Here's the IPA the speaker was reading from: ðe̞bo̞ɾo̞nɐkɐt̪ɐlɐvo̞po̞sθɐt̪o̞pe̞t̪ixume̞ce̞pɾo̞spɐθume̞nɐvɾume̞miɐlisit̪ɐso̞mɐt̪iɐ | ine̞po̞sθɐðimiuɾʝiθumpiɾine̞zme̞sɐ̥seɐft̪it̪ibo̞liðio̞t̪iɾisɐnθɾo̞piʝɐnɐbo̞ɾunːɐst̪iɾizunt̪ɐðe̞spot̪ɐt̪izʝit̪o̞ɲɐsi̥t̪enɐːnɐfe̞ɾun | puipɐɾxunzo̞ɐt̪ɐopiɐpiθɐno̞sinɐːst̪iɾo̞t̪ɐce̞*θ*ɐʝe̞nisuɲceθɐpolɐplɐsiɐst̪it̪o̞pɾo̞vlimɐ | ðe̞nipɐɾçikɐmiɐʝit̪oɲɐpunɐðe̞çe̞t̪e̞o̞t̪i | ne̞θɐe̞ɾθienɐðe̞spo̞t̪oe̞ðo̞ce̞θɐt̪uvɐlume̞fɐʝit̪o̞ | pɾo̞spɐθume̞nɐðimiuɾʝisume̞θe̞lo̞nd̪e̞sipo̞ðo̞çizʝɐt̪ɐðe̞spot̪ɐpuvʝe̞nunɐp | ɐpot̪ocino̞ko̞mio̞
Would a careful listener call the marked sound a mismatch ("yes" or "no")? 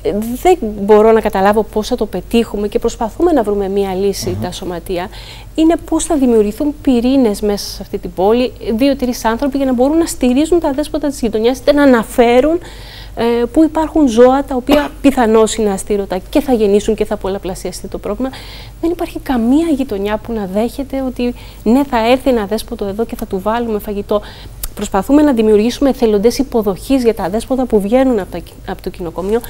no